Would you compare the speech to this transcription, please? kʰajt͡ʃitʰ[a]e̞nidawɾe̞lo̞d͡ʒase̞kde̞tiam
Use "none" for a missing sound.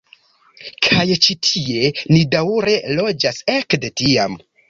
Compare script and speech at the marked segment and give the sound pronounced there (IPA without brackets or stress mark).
i